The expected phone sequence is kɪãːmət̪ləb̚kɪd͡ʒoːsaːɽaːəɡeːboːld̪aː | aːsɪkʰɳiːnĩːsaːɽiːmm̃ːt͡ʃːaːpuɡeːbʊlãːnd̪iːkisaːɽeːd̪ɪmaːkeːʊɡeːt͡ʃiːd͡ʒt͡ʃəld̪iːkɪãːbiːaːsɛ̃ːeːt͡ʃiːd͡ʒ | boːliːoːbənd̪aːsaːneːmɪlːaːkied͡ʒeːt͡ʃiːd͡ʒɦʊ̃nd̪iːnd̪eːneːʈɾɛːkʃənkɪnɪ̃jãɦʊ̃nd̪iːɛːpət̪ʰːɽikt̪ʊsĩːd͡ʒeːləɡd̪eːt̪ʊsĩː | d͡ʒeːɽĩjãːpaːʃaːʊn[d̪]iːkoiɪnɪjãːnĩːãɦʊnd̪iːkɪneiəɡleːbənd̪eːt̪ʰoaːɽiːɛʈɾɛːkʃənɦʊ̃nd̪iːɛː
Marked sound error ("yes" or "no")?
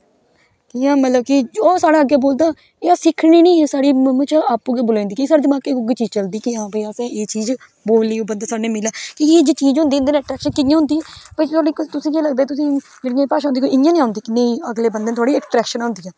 no